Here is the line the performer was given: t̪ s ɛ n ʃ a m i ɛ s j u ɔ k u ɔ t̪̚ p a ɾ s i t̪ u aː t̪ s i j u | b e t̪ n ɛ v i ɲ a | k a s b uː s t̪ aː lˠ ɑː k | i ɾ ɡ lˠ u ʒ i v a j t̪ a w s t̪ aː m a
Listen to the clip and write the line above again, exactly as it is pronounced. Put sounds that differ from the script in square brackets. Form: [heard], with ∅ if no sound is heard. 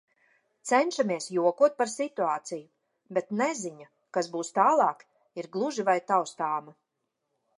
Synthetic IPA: t̪ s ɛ n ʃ a m i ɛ s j u ɔ k u ɔ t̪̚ p a ɾ s i t̪ u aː t̪ s i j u | b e t̪ n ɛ [z] i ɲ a | k a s b uː s t̪ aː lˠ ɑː k | i ɾ ɡ lˠ u ʒ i v a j t̪ a w s t̪ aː m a